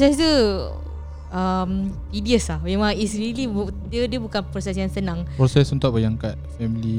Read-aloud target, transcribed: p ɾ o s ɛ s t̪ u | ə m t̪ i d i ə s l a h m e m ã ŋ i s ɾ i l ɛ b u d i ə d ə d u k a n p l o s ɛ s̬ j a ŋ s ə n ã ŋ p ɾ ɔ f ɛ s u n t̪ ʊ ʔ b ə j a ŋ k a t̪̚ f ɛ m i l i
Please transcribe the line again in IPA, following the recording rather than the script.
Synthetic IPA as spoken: p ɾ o s ɛ s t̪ u | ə m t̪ i d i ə s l a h m e m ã ŋ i s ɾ i l i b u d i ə d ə b u k a n p ɾ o s ɛ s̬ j a ŋ s ə n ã ŋ p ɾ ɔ s ɛ s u n t̪ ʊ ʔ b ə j a ŋ k a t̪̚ f ɛ m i l i